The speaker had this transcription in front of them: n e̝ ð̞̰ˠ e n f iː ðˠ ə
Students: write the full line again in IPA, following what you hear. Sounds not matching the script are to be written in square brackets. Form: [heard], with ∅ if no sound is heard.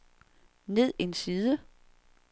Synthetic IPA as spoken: n e̝ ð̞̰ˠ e n [s] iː ðˠ ə